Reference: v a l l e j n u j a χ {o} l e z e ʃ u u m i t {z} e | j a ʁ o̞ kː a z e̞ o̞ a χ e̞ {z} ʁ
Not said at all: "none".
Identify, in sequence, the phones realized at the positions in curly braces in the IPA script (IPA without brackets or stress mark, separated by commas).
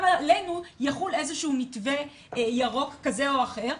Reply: u, v, none